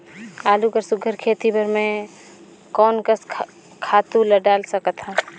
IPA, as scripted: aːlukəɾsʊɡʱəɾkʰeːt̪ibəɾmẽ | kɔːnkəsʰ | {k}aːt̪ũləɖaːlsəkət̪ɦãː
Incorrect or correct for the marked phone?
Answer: incorrect: kʰ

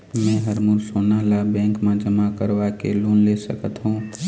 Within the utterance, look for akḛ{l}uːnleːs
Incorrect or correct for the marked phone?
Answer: correct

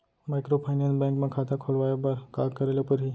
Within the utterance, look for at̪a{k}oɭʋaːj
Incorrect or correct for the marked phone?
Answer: incorrect: kʰ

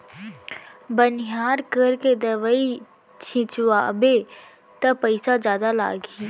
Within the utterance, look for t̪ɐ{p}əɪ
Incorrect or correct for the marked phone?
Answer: correct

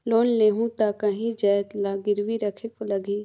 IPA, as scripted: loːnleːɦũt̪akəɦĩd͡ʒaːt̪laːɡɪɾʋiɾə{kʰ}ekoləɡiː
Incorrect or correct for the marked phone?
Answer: correct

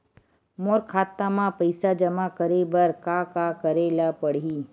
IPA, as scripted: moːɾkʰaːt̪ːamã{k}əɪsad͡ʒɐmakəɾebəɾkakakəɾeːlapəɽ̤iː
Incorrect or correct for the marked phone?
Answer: incorrect: p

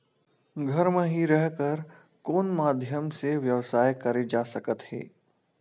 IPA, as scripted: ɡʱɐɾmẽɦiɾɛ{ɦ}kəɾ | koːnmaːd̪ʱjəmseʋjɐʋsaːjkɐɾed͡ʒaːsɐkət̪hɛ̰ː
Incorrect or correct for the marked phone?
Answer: correct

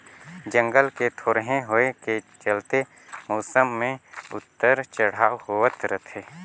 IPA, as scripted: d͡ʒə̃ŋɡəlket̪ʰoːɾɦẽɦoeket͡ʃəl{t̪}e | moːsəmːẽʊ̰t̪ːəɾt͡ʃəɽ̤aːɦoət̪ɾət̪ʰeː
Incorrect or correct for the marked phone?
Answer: correct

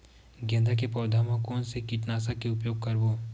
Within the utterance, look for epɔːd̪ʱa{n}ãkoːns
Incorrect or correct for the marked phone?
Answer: incorrect: m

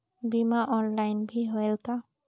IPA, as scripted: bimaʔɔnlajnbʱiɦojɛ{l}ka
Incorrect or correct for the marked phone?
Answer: correct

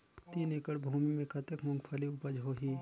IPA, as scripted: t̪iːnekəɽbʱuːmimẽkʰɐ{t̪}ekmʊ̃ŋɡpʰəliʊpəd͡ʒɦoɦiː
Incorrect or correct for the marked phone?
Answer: correct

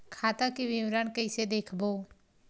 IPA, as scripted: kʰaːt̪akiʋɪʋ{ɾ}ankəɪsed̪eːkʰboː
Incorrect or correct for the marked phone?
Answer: correct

